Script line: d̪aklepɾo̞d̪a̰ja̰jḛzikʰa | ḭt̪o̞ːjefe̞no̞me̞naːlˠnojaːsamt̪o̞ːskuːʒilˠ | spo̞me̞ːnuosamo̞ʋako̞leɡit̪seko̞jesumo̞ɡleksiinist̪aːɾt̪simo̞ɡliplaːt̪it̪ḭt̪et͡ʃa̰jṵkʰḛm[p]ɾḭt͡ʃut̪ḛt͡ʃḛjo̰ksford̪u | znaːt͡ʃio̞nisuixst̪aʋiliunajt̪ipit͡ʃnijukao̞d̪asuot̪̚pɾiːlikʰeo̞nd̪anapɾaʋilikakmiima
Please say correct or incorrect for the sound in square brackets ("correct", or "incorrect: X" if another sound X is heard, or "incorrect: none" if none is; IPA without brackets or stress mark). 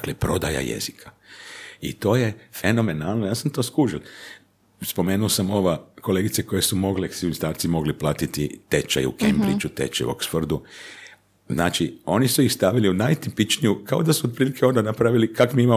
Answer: incorrect: b